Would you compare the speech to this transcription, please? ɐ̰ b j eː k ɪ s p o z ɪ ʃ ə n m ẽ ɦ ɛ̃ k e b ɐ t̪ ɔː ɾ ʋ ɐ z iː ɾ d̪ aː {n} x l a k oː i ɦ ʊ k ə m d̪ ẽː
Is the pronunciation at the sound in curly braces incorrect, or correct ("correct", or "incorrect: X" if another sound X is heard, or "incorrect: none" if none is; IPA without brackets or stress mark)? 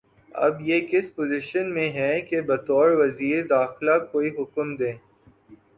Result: incorrect: none